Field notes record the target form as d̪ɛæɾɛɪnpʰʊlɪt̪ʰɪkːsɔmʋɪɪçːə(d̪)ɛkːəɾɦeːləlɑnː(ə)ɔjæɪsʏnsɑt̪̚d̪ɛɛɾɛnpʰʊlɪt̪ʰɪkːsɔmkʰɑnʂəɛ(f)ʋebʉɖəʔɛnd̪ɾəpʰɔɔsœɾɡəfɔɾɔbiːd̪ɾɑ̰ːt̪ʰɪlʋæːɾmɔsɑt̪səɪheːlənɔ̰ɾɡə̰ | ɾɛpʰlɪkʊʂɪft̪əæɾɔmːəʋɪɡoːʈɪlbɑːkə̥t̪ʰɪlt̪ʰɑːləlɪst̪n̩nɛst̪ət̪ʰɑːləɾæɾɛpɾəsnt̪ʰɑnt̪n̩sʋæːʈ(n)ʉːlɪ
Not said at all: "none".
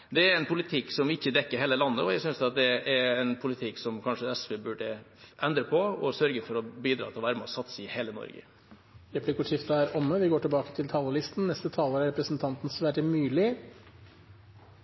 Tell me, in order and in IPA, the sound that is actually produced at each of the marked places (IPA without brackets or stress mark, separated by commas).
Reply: d̪, ə, s, m